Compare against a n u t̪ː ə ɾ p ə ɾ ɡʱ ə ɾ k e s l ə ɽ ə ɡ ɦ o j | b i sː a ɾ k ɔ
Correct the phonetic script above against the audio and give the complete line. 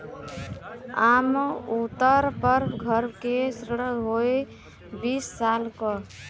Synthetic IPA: a m u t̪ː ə ɾ p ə ɾ ɡʱ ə ɾ k e s ɾ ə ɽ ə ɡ ɦ o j | b i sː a l k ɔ